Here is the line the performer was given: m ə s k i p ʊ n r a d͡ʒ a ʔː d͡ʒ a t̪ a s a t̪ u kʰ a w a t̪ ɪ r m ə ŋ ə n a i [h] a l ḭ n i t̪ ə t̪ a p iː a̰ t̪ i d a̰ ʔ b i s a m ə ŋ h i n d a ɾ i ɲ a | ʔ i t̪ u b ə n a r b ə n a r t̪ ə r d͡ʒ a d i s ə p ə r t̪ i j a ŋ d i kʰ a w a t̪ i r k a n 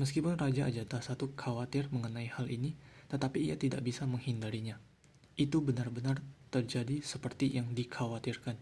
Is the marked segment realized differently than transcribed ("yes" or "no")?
no